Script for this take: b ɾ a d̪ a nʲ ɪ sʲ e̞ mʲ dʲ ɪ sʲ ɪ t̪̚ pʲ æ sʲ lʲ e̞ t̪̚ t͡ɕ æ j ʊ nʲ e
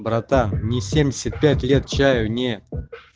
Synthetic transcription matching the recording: b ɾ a t̪ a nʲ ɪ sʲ e̞ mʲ dʲ ɪ sʲ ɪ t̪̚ pʲ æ tʲ lʲ e̞ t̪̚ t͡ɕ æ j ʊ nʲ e